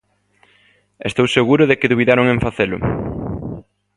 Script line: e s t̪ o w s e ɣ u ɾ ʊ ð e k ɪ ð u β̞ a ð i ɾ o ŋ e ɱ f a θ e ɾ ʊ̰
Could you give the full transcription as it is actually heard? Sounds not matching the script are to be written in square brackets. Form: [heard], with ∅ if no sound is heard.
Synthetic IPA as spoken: e s t̪ o w s e ɣ u ɾ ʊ ð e k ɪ ð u β̞ [i] ð [a] ɾ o ŋ e ɱ f a θ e [l] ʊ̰